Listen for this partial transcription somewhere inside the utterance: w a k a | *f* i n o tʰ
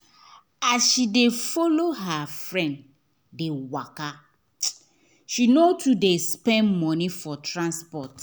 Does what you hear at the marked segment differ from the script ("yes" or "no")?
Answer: yes